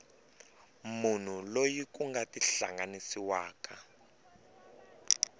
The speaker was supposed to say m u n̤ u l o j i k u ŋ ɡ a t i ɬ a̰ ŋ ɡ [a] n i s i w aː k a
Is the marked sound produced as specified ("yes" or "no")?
yes